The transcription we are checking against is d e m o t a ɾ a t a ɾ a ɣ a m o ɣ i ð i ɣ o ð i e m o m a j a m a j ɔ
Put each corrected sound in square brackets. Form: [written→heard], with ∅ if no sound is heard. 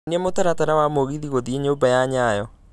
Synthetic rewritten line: [d→n] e m o t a ɾ a t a ɾ a [ɣ→w] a m o ɣ i ð i ɣ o ð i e [m→ɲ] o [m→b] a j a [m→ɲ] a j ɔ